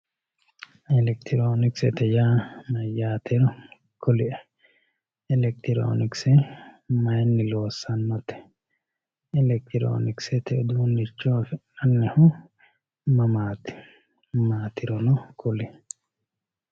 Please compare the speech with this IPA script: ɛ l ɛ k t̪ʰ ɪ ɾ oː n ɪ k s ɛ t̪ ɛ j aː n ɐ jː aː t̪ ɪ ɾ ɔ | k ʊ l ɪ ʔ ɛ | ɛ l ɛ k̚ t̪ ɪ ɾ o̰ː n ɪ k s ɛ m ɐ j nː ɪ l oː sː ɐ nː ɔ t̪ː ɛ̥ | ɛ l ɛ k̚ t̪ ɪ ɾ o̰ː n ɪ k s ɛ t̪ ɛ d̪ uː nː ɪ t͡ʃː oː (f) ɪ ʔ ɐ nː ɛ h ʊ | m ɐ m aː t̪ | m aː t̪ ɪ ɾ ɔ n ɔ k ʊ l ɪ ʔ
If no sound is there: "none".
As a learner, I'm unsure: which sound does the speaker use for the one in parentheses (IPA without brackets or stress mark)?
f